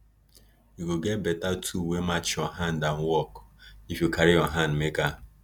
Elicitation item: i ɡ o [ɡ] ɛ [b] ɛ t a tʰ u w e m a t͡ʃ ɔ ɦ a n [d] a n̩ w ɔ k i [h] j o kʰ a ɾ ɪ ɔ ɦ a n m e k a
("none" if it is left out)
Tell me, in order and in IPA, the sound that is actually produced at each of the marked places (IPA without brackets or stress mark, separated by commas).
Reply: ɡ, b, d, f